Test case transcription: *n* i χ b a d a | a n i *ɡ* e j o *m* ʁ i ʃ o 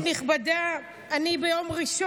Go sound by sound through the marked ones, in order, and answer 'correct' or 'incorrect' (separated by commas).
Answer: correct, incorrect, correct